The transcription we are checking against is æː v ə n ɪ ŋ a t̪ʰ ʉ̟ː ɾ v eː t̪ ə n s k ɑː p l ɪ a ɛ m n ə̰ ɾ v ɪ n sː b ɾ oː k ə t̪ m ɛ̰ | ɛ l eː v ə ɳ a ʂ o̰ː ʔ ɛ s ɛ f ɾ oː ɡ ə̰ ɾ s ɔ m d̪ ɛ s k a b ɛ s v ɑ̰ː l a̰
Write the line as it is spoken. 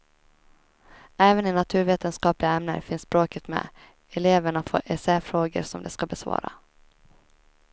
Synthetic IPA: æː v ə n ɪ n a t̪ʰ ʉ̟ː ɾ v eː t̪ ə n s k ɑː p l ɪ a ɛ m n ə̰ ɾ f ɪ n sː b ɾ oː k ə t̪ m ɛ̰ | ɛ l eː v ə ɳ a f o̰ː ʔ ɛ s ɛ f ɾ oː ɡ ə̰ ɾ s ɔ m d̪ ɛ s k a b ɛ s v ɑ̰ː ɾ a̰

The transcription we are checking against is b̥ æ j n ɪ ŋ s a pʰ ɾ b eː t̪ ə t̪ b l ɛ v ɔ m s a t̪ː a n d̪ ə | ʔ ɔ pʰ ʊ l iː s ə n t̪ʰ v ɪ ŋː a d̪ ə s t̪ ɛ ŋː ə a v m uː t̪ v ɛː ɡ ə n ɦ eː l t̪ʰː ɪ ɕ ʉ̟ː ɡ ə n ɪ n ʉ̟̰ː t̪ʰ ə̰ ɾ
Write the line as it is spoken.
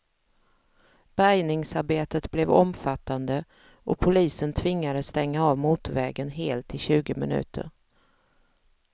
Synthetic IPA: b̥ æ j n ɪ ŋ s a ɾ b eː t̪ ə t̪ b l ɛ v ɔ m f a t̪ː a n d̪ ə | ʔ ɔ pʰ ʊ l iː s ə n t̪ʰ v ɪ ŋː a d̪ ə s t̪ ɛ ŋː a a v m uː t̪ v ɛː ɡ ə n ɦ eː l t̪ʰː ɪ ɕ ʉ̟ː ɡ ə m ɪ n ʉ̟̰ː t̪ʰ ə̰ ɾ

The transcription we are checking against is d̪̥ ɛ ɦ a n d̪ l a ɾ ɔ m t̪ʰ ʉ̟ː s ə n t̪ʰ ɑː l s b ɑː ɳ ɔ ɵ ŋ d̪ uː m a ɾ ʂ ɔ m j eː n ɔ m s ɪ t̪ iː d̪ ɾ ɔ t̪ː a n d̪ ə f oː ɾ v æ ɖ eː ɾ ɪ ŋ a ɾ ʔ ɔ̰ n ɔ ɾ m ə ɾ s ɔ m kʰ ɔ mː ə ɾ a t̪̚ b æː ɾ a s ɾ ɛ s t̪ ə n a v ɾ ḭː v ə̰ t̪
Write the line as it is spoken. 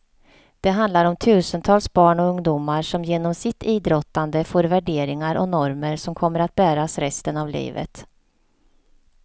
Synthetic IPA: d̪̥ ɛ ɦ a n d̪ l a ɾ ɔ m t̪ʰ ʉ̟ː s ə n t̪ʰ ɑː l s b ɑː ɳ ɔ ɵ ŋ d̪ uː m a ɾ ʂ ɔ m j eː n ɔ m s ɪ t̪ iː d̪ ɾ ɔ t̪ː a n d̪ ə f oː ɾ v æ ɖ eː ɾ ɪ ŋ a ɾ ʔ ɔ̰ n ɔ ɾ m ə ɾ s ɔ m kʰ ɔ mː ə ɾ a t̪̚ b æː ɾ a s ɾ ɛ s t̪ ə n a v l ḭː v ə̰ t̪

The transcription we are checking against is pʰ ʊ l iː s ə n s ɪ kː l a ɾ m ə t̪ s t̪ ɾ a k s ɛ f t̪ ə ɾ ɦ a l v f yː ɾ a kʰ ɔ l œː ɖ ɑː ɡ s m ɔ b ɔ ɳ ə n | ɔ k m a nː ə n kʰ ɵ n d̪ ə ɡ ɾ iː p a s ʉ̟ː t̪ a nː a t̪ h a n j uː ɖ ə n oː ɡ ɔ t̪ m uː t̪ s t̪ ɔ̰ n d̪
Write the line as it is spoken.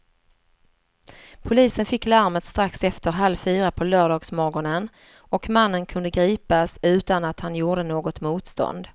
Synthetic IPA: pʰ ʊ l iː s ə n f ɪ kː l a ɾ m ə t̪ s t̪ ɾ a k s ɛ f t̪ ə ɾ ɦ a l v f yː ɾ a pʰ ɔ l œː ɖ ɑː ɡ s m ɔ ɡ ɔ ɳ ə n | ɔ k m a nː ə n kʰ ɵ n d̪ ə ɡ ɾ iː p a s ʉ̟ː t̪ a n a t̪ h a n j uː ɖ ə n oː ɡ ɔ t̪ m uː t̪ s t̪ ɔ̰ n d̪

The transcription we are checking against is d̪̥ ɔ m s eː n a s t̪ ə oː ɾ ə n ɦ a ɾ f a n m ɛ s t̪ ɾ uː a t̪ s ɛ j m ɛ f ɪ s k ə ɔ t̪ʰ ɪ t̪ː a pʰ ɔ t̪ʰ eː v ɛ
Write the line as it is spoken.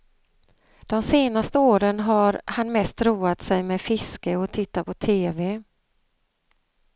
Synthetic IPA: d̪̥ ɔ m s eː n a s t̪ ə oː ɾ ə n ɦ a ɾ h a n m ɛ s t̪ ɾ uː a t̪ s ɛ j m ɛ f ɪ s k ə ɔ t̪ʰ ɪ t̪ː a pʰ ɔ t̪ʰ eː v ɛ

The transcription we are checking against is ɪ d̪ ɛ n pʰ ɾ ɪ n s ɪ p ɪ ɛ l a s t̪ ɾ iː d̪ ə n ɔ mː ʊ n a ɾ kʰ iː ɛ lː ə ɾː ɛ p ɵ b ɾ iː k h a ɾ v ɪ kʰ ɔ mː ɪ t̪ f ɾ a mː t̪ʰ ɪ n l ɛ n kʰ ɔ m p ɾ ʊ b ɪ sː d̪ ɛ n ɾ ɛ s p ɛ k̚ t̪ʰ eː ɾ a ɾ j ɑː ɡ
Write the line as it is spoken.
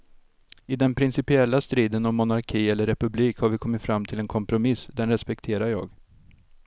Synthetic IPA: ɪ d̪ ɛ n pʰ ɾ ɪ n s ɪ p ɪ ɛ lː a s t̪ ɾ iː d̪ ə n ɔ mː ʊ n a ɾ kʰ iː ɛ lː ə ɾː ɛ p ɵ b l iː k h a ɾ v ɪ kʰ ɔ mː ɪ t̪ f ɾ a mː t̪ʰ ɪ l ɛ n kʰ ɔ m p ɾ ʊ m ɪ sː d̪ ɛ n ɾ ɛ s p ɛ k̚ t̪ʰ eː ɾ a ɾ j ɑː ɡ

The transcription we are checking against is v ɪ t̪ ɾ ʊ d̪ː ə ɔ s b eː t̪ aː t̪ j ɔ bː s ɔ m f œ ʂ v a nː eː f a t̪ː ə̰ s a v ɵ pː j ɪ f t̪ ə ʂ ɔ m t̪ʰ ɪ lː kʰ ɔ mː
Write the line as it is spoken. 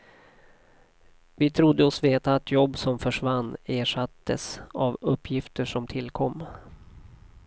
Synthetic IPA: v ɪ t̪ʰ ɾ ʊ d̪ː ə ɔ s v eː t̪ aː t̪ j ɔ bː s ɔ m f œ ʂ v a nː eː ʂ a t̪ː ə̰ s a v ɵ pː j ɪ f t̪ ə ʂ ɔ m t̪ʰ ɪ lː kʰ ɔ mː

